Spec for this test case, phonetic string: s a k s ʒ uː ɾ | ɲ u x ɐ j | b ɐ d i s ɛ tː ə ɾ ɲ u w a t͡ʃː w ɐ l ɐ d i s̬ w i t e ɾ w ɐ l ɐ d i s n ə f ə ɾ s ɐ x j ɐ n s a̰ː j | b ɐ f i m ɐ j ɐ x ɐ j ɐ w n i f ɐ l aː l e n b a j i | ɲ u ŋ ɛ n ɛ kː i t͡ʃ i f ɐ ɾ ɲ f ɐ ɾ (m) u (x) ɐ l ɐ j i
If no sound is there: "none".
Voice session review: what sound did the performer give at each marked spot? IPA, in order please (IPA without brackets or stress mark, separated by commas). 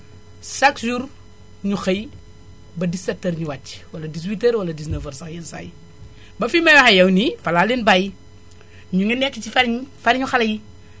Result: ɲ, x